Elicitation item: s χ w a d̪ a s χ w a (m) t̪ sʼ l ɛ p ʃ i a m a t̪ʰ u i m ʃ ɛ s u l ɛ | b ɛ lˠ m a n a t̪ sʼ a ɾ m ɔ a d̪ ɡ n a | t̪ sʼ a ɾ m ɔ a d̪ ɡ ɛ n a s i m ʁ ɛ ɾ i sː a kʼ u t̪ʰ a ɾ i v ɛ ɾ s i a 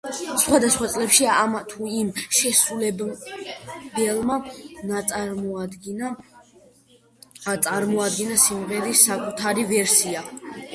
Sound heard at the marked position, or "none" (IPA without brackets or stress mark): none